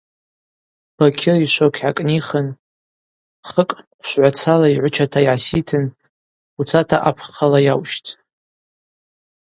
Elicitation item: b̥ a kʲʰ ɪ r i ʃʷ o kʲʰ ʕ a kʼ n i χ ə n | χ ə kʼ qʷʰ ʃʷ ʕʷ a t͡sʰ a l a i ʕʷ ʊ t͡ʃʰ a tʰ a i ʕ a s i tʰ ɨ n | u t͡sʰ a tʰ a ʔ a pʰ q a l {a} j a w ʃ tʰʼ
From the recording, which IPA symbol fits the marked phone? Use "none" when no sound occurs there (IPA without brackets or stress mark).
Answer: a